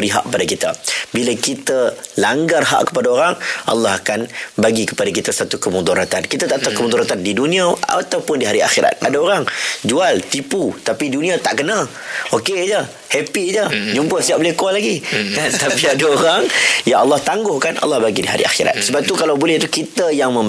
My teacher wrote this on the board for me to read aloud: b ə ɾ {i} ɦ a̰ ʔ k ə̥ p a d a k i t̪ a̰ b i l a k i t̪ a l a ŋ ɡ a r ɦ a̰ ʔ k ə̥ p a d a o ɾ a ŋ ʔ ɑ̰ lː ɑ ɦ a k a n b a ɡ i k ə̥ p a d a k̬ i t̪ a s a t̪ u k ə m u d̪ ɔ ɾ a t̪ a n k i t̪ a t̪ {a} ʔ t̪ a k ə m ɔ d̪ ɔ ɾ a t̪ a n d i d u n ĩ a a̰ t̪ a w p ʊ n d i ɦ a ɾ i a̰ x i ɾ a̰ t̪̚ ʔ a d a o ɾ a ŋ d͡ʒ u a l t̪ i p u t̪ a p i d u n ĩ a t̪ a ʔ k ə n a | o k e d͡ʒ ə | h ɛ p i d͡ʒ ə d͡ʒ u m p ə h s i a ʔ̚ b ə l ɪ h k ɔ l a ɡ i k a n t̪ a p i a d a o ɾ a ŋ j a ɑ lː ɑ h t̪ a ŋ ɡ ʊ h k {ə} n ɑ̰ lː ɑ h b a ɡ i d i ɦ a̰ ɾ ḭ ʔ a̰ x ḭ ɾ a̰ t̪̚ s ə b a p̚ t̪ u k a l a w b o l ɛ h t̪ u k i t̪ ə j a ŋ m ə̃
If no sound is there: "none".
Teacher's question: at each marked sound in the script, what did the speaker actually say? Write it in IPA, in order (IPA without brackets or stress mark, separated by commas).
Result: i, a, a